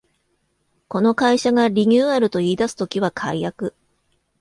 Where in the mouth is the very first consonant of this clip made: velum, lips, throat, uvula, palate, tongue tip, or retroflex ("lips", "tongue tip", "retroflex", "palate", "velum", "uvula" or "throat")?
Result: velum